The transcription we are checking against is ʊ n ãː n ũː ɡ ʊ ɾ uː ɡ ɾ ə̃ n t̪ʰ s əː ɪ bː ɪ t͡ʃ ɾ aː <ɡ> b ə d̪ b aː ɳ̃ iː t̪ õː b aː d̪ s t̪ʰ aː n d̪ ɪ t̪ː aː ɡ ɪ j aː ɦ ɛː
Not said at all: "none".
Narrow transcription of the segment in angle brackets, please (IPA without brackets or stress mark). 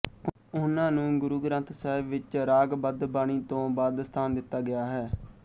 ɡ